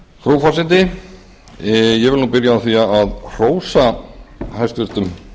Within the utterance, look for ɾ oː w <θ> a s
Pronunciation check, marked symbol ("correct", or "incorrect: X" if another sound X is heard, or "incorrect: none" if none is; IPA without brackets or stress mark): incorrect: f